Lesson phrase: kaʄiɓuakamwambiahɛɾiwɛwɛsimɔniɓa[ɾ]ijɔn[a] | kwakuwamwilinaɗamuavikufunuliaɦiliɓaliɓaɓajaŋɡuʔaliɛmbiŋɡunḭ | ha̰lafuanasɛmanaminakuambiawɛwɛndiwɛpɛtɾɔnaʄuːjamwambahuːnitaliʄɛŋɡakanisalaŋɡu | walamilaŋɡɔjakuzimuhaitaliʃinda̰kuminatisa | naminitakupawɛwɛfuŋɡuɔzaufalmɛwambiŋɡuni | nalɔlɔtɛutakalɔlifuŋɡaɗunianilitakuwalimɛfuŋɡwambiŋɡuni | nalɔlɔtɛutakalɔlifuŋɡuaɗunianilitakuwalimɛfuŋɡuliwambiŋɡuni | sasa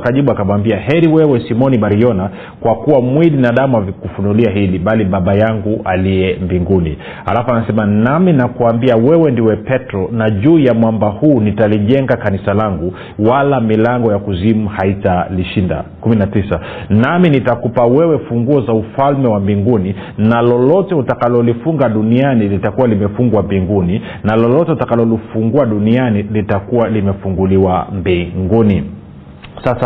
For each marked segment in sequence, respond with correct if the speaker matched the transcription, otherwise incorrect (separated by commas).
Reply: correct, correct